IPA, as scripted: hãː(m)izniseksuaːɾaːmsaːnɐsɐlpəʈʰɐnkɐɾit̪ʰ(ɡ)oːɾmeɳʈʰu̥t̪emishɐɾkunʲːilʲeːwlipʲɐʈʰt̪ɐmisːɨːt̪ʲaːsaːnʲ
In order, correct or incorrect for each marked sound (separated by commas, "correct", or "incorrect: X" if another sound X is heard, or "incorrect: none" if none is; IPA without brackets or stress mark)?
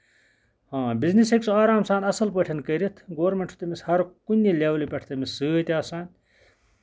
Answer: incorrect: b, correct